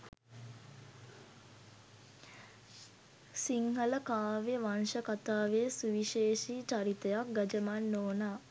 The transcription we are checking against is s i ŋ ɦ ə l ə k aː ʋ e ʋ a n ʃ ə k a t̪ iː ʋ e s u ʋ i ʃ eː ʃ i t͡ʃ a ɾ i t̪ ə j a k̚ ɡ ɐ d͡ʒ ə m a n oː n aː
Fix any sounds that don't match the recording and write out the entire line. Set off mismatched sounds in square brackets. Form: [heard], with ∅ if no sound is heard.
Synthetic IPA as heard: s i ŋ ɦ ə l ə k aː ʋ e ʋ a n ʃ ə k a t̪ [aː] ʋ e s u ʋ i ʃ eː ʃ i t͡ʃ a ɾ i t̪ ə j a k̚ ɡ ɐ d͡ʒ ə m a [nː] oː n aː